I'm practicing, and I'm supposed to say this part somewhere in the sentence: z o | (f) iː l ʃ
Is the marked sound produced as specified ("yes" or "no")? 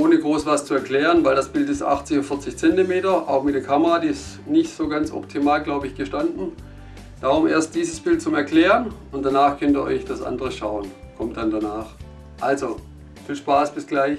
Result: yes